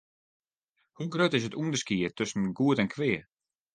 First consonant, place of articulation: glottal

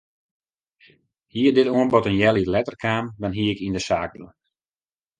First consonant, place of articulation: glottal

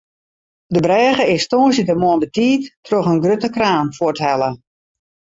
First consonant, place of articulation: alveolar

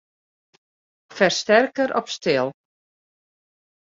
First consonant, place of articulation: labial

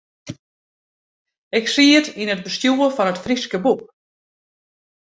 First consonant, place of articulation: velar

